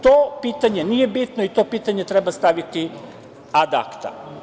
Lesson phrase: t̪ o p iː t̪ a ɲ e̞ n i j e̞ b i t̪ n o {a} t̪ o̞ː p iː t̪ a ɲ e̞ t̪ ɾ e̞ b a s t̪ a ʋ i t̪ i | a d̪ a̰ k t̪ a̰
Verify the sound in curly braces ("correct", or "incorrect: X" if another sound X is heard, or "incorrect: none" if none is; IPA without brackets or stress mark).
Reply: incorrect: i